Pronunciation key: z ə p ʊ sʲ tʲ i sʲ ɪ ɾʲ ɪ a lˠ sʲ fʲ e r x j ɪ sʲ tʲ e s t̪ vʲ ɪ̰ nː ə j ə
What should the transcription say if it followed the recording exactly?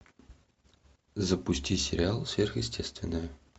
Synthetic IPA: z ə p ʊ sʲ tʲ i sʲ ɪ ɾʲ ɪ a lˠ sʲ vʲ e r x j ɪ sʲ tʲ e s t̪ vʲ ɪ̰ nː ə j ə

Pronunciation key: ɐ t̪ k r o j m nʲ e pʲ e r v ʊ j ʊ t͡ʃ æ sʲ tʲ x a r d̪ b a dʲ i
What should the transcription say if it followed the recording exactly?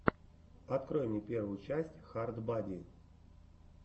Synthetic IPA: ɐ t̪ k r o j m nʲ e pʲ e r v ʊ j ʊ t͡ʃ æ sʲ tʲ x a r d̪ b a dʲ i

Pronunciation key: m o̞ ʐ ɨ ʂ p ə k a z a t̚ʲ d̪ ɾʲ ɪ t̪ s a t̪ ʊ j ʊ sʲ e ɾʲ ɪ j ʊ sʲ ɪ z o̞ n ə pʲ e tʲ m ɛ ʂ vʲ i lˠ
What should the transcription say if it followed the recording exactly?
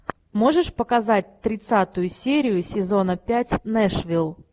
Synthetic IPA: m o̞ ʐ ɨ ʂ p ə k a z a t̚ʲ t̪ ɾʲ ɪ t̪ s a t̪ ʊ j ʊ sʲ e ɾʲ ɪ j ʊ sʲ ɪ z o̞ n ə pʲ æ tʲ n ɛ ʂ vʲ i lˠ

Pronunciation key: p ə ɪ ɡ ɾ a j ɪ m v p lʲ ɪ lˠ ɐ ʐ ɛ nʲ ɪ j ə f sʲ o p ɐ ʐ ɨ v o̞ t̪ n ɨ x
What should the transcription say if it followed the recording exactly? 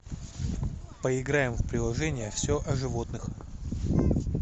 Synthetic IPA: p ə ɪ ɡ ɾ a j ɪ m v p ɾʲ ɪ lˠ ɐ ʐ ɛ nʲ ɪ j ə f sʲ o ʔ ɐ ʐ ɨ v o̞ t̪ n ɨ x

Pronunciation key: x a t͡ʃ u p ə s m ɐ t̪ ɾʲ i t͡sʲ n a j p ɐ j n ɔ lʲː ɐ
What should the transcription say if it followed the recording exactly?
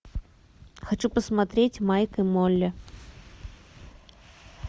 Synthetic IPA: x a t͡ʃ u p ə s m a t̪ ɾʲ e t͡sʲ m a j k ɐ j m ɔ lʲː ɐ

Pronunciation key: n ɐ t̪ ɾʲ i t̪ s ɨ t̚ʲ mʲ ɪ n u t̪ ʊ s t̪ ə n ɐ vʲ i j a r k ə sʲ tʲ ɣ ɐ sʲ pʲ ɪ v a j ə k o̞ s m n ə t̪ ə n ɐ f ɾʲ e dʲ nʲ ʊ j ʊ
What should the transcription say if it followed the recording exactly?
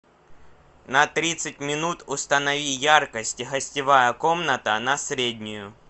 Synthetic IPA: n ɐ t̪ ɾʲ i t̪ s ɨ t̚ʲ mʲ ɪ n u t̪ ʊ s t̪ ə n ɐ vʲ i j a r k ə sʲ tʲ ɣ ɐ sʲ tʲ ɪ v a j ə k o̞ m n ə t̪ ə n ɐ s ɾʲ e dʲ nʲ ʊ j ʊ

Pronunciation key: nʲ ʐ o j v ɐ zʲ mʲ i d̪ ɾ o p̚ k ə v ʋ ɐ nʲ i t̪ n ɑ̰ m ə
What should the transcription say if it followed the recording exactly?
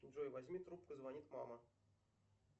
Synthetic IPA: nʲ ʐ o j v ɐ zʲ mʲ i t̪ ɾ u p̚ k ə z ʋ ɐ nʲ i t̪ m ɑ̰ m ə

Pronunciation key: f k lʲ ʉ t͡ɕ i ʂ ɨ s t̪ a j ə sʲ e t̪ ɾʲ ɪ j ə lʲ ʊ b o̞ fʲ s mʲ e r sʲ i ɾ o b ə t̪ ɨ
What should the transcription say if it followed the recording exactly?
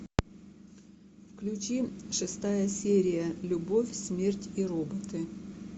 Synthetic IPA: f k lʲ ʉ t͡ɕ i ʂ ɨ s t̪ a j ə sʲ e ɾʲ ɪ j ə lʲ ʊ b o̞ fʲ s mʲ e r tʲ i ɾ o b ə t̪ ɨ

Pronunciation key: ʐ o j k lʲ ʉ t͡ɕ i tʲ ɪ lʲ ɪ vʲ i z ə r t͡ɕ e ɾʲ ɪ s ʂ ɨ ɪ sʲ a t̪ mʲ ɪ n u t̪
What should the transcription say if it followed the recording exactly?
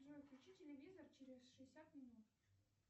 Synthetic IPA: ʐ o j k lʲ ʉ t͡ɕ i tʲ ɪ lʲ ɪ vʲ i z ə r t͡ɕ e ɾʲ ɪ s ʂ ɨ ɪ sʲ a t̪ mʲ ɪ n u t̪

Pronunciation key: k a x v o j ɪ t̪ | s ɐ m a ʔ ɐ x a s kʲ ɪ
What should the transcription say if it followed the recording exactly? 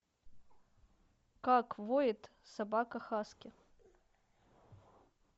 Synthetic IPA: k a k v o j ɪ t̪ | s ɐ b a k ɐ x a s kʲ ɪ

